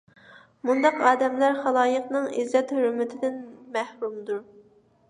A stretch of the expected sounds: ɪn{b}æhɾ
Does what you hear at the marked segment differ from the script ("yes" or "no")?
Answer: yes